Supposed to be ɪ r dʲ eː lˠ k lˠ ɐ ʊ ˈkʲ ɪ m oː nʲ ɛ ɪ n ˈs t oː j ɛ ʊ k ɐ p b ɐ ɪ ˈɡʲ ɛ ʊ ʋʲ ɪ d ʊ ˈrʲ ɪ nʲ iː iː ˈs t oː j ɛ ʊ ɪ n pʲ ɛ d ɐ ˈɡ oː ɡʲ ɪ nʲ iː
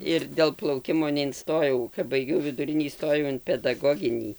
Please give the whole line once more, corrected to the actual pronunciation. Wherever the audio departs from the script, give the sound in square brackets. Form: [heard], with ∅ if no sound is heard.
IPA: ɪ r dʲ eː lˠ [p] lˠ ɐ ʊ ˈkʲ ɪ m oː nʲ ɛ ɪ n ˈs t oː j ɛ ʊ k ɐ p b ɐ ɪ ˈɡʲ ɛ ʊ ʋʲ ɪ d ʊ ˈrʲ ɪ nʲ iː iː ˈs t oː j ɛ ʊ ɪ n pʲ ɛ d ɐ ˈɡ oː ɡʲ ɪ nʲ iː